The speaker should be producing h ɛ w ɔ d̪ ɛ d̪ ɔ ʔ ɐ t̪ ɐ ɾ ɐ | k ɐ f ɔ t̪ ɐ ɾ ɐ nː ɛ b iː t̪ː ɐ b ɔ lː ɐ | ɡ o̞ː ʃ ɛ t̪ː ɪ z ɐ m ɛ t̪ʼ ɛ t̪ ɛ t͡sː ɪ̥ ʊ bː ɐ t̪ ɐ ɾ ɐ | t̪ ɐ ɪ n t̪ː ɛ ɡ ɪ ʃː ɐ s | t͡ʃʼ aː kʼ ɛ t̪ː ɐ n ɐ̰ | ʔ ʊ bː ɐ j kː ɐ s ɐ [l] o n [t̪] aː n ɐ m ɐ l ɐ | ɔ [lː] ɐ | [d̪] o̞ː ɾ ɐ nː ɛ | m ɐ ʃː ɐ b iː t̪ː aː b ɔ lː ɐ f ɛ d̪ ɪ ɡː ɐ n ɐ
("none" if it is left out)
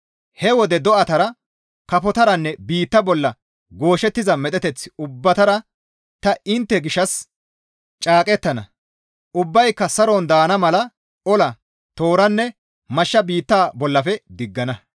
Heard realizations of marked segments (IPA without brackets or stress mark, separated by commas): ɾ, d̪, l, t̪